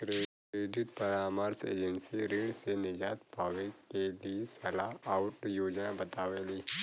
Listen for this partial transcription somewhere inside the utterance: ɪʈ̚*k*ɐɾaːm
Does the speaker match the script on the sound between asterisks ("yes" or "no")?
no